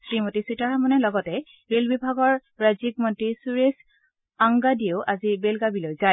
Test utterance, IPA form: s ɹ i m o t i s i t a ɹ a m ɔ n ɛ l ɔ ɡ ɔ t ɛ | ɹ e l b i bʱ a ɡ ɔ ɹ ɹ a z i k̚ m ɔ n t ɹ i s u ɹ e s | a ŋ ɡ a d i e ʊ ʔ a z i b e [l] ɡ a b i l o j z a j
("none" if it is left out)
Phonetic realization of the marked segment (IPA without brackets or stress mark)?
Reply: l